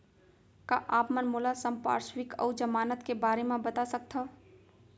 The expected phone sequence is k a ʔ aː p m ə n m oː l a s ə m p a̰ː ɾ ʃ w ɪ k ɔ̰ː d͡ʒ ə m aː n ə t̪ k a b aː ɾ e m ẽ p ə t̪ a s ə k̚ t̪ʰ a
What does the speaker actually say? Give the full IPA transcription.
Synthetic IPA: k a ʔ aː p m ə n m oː l a s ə m p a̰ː ɾ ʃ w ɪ k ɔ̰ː d͡ʒ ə m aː n ə t̪ k e b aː ɾ e m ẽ b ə t̪ a s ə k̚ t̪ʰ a